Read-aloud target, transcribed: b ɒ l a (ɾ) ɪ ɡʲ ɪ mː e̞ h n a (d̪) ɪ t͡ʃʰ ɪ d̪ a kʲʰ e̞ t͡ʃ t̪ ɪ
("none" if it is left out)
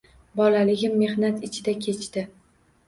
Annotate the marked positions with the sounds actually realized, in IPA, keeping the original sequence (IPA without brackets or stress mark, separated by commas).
l, t̪